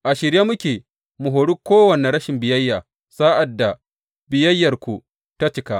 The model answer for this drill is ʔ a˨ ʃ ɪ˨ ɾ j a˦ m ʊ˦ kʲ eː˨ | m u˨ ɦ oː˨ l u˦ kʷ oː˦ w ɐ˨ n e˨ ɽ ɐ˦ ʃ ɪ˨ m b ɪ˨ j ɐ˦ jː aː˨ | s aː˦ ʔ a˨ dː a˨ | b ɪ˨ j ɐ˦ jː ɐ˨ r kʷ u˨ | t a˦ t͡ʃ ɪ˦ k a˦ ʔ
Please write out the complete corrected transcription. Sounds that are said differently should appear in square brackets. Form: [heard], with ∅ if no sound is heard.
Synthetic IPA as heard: ʔ a˨ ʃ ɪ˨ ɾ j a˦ m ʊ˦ kʲ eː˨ | m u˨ ɦ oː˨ [ɽ] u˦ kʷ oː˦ w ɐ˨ n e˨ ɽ ɐ˦ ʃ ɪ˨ m b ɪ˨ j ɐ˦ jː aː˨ | s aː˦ ʔ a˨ dː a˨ | b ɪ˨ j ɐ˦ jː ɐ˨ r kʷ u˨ | t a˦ t͡ʃ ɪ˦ k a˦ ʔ